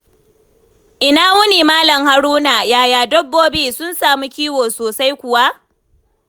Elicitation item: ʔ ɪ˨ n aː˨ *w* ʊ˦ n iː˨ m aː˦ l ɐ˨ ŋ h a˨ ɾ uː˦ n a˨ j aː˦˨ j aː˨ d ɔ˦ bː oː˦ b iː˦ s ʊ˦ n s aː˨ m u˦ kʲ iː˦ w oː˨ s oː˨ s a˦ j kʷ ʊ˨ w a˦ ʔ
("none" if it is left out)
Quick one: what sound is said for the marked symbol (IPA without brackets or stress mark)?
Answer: w